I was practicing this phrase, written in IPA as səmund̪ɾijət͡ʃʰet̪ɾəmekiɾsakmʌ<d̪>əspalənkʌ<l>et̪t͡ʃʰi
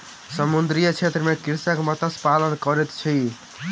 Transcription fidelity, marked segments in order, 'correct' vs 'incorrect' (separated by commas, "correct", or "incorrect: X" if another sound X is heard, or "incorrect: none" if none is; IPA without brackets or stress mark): incorrect: t̪, incorrect: ɾ